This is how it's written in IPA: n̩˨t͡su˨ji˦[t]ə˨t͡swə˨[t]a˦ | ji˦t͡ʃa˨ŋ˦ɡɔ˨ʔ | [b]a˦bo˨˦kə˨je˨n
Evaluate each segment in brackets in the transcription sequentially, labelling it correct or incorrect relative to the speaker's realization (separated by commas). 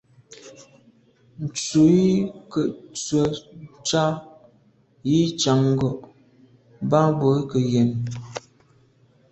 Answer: incorrect, incorrect, correct